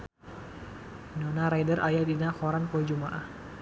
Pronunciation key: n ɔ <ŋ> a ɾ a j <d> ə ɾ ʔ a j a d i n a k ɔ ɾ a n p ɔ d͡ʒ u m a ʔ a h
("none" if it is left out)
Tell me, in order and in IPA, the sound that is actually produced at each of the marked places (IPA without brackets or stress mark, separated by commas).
n, d